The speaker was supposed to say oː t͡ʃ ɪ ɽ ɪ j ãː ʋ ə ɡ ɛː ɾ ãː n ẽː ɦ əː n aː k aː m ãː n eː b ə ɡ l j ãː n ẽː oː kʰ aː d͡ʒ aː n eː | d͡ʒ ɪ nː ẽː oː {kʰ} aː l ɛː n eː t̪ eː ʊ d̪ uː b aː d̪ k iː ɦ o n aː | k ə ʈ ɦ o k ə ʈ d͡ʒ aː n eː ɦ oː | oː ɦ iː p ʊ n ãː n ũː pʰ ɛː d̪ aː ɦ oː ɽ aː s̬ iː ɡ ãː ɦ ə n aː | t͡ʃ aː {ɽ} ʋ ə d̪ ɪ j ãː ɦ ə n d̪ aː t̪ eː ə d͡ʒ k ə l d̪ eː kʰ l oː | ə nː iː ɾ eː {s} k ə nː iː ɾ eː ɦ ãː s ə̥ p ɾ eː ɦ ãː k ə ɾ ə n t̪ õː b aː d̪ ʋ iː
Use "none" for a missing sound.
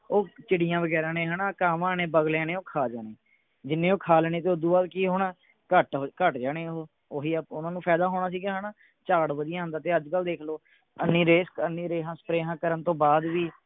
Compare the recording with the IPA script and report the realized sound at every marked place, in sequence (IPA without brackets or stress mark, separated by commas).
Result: kʰ, ɽ, s